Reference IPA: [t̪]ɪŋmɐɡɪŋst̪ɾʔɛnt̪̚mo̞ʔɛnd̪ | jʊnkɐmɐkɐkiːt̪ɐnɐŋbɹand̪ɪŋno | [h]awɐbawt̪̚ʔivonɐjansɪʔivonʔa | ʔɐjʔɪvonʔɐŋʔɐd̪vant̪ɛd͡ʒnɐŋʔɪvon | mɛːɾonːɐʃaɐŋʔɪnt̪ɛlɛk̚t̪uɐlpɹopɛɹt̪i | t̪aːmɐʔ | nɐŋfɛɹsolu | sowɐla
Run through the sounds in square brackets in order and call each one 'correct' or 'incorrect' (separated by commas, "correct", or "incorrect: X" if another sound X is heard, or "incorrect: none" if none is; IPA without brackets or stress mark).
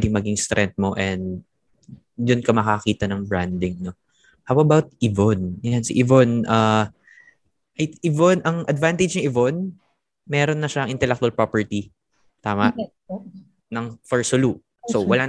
incorrect: d̪, correct